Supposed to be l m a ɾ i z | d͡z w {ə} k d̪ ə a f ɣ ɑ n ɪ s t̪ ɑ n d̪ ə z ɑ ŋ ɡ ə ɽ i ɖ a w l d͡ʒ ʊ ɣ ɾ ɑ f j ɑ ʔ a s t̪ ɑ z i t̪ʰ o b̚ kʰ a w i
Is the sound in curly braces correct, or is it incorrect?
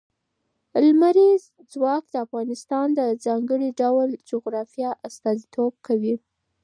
incorrect